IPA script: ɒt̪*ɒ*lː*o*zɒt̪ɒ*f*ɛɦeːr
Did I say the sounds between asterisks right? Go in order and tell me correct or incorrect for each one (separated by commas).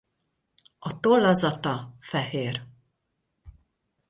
incorrect, incorrect, correct